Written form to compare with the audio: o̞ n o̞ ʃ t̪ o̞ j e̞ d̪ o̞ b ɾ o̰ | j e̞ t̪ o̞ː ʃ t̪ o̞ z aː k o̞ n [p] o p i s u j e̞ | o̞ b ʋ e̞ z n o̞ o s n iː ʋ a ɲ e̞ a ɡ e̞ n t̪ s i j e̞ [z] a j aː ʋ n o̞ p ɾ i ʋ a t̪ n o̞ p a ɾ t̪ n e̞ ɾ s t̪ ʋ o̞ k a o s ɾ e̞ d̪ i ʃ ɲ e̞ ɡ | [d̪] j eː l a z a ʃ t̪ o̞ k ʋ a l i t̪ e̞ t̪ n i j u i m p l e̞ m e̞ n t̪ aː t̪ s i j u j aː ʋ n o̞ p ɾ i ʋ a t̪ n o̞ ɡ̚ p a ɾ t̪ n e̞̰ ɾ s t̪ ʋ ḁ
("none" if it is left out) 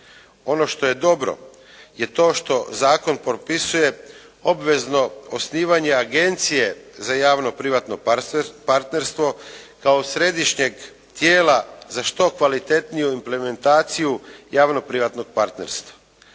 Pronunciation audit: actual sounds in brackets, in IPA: p, z, t̪

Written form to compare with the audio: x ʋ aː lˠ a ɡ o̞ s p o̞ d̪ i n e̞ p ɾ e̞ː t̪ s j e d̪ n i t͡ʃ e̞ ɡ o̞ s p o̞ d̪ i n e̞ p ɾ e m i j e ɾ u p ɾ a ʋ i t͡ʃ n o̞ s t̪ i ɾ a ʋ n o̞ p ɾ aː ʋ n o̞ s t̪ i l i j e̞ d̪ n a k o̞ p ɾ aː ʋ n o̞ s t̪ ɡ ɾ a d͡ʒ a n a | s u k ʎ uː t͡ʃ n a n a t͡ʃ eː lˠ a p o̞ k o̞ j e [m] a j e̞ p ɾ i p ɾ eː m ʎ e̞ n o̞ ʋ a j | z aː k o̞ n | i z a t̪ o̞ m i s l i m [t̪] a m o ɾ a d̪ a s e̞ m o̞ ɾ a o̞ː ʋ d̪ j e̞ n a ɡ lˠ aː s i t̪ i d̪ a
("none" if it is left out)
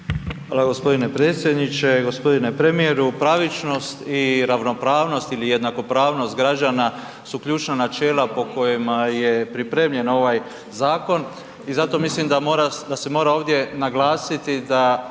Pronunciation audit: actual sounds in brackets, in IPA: m, d̪

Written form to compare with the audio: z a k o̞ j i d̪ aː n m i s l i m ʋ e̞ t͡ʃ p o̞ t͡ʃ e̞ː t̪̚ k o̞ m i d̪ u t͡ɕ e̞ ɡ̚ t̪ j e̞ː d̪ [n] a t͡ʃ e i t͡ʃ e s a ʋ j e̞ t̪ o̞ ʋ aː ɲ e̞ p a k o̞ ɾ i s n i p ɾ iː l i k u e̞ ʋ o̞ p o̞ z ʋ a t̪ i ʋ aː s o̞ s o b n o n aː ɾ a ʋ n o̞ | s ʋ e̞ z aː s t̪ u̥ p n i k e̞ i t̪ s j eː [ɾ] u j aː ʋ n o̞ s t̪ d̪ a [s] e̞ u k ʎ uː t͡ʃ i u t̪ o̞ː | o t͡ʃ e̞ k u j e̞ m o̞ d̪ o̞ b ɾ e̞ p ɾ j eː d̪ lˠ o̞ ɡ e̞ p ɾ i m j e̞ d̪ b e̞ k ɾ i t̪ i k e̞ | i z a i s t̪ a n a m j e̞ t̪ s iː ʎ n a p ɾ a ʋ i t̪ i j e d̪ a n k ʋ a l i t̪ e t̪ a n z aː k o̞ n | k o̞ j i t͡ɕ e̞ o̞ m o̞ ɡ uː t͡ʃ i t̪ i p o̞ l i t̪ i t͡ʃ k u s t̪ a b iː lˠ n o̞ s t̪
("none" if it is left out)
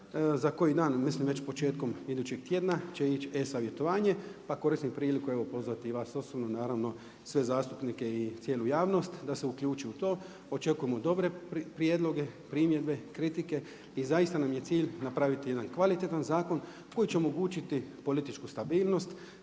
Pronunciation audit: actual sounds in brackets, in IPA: n, l, s

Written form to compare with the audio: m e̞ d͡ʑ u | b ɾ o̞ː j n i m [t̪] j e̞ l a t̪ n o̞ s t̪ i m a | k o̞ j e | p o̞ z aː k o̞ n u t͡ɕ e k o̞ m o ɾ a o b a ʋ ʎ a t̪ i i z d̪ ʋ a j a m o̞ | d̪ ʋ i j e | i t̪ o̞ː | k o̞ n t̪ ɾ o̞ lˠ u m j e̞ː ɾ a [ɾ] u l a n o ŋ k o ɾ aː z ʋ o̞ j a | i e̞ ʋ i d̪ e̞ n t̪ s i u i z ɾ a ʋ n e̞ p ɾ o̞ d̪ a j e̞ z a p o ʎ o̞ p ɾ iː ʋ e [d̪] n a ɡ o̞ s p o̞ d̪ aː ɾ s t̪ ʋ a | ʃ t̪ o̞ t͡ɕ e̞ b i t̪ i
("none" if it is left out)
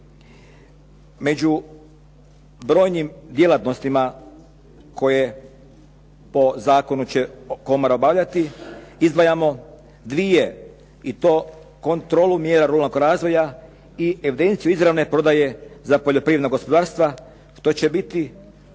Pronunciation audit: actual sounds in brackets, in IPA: d̪, ɾ, d̪

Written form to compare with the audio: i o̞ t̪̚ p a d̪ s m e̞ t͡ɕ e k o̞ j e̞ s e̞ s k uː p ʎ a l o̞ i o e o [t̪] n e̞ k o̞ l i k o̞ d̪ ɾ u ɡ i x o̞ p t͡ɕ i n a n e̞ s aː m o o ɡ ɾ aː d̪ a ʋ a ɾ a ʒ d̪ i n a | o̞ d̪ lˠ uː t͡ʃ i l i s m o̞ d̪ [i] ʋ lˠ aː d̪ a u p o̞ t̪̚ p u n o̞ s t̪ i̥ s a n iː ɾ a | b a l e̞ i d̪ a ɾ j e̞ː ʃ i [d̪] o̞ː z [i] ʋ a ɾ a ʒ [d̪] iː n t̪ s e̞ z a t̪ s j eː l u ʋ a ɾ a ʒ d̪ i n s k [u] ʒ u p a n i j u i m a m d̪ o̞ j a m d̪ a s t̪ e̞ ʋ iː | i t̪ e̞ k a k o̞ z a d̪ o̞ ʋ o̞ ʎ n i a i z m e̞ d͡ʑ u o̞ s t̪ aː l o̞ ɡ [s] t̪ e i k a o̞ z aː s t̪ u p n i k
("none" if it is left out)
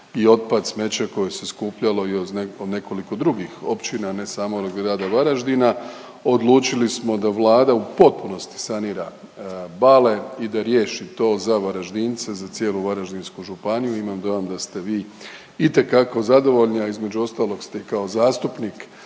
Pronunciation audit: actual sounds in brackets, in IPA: d̪, a, t̪, a, d̪, u, s

